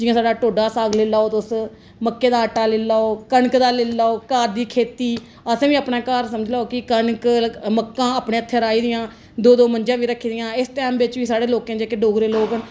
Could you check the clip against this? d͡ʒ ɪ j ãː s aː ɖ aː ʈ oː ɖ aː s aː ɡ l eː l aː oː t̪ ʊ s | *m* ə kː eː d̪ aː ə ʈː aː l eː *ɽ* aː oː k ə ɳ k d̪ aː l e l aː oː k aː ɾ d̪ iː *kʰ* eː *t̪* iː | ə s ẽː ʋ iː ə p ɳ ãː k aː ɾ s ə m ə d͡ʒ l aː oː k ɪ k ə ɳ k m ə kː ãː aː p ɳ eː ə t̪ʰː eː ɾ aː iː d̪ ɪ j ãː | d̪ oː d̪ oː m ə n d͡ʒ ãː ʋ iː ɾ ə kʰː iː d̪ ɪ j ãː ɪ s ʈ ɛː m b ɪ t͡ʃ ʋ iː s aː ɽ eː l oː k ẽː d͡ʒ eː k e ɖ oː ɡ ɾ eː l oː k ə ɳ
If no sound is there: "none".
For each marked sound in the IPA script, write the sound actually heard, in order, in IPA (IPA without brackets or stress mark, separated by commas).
m, l, kʰ, t̪